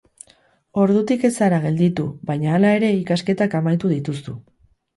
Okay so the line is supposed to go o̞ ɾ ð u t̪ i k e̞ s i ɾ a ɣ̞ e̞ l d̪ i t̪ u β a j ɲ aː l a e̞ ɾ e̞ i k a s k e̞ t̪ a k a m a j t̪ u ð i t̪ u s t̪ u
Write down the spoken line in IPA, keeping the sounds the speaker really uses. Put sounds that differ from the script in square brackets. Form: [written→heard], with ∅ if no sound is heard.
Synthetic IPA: o̞ ɾ ð u t̪ i k e̞ s [i→a] ɾ a ɣ̞ e̞ l d̪ i t̪ u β a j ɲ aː l a e̞ ɾ e̞ i k a s k e̞ t̪ a k a m a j t̪ u ð i t̪ u s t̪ u